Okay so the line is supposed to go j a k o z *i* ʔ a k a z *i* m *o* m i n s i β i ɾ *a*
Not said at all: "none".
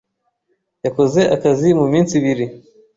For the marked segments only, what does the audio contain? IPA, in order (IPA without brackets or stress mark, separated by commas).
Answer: e, i, u, i